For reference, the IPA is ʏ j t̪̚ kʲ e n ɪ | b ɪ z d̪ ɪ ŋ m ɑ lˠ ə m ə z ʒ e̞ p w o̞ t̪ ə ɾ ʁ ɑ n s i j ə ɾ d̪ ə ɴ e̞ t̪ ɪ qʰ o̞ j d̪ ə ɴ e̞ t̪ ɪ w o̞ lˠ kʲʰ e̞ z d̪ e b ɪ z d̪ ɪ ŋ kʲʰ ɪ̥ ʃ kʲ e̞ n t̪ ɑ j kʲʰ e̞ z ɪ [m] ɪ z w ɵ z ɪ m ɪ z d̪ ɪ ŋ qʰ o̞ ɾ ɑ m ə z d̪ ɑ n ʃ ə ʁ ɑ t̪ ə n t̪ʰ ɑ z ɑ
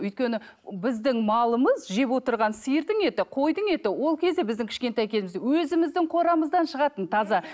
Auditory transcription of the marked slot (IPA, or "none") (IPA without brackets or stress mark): m